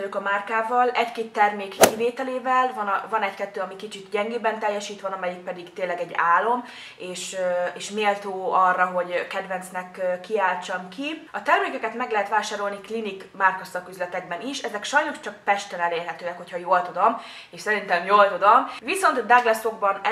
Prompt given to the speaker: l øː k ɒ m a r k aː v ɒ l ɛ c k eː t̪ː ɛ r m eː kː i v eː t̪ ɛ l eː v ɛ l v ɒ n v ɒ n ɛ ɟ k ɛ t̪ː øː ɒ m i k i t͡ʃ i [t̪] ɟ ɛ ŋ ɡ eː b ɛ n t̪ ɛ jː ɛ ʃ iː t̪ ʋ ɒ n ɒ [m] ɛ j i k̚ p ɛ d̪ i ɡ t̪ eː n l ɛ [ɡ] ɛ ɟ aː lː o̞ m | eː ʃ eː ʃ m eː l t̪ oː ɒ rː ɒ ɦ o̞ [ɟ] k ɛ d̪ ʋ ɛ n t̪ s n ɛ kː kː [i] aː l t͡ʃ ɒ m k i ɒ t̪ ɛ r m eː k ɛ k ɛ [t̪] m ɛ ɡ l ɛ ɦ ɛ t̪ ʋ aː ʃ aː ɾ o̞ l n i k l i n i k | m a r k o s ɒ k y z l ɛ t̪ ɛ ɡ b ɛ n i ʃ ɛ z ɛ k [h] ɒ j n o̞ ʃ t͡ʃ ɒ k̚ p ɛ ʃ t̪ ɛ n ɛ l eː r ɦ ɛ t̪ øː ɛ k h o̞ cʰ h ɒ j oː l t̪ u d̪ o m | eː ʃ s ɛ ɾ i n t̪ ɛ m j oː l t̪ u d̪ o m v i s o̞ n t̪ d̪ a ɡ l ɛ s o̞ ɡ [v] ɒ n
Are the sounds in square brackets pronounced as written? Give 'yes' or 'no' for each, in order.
yes, yes, yes, yes, yes, yes, no, no

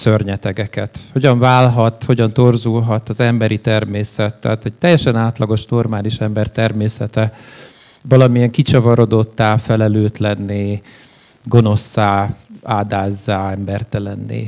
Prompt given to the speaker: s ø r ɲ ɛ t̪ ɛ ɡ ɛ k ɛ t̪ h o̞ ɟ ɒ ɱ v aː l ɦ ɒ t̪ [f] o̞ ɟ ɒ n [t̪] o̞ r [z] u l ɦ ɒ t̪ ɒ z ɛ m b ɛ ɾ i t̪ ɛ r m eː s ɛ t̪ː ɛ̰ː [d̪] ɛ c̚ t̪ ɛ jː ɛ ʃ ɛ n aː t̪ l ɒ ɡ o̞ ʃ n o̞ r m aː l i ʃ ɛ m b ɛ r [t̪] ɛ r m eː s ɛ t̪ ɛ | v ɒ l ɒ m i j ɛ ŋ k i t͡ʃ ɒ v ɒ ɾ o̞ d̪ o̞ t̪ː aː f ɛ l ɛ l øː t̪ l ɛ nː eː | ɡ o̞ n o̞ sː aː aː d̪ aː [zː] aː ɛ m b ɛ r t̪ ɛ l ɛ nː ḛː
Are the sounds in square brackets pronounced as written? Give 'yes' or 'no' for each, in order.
no, yes, yes, no, yes, yes

